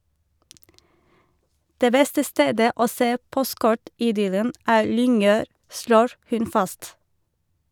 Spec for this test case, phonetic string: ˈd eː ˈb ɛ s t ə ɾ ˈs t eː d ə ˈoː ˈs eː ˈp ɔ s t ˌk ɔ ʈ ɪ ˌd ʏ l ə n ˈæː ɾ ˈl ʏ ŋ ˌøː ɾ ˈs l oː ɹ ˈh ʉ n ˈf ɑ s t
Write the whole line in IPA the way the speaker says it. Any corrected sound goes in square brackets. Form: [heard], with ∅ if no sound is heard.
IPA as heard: ˈd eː ˈb ɛ s t ə [∅] ˈs t eː d ə ˈoː ˈs eː ˈp ɔ s t ˌk ɔ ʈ ɪ ˌd ʏ l ə n ˈæː ɾ ˈl ʏ ŋ ˌøː ɾ ˈs l oː ɹ ˈh ʉ n ˈf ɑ s t